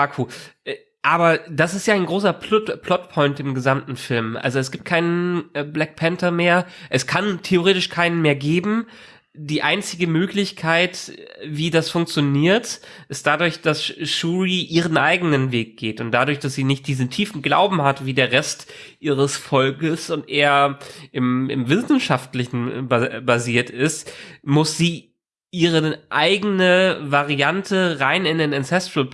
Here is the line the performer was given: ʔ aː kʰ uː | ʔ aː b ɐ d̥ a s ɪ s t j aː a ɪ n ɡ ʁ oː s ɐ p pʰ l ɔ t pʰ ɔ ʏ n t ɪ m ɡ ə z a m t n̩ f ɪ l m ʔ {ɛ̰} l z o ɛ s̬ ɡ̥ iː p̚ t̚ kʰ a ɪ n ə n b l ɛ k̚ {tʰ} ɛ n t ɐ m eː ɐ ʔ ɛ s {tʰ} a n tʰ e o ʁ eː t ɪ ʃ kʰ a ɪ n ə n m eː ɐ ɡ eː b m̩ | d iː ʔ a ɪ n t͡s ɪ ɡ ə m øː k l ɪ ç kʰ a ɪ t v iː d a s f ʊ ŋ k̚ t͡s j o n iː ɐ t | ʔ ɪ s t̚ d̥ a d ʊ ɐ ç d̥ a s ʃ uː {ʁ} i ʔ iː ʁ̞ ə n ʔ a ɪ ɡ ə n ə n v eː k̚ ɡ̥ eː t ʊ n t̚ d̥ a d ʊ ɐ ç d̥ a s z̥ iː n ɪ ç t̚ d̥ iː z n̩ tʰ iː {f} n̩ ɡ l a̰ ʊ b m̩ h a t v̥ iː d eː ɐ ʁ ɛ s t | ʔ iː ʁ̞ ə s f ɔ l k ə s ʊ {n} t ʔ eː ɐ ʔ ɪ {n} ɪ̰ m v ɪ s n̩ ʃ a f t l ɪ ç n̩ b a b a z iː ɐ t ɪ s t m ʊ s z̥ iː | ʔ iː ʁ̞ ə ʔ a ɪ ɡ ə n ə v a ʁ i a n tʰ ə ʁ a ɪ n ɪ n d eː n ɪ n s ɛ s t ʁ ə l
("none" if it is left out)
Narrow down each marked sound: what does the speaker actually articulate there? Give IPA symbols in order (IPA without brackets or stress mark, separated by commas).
a̰, pʰ, kʰ, ʁ, f, n, m